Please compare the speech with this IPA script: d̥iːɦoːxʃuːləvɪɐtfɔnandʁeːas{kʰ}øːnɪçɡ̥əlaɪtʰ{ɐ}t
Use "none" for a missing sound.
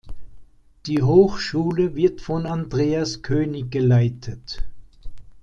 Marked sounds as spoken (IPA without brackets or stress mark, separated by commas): kʰ, ə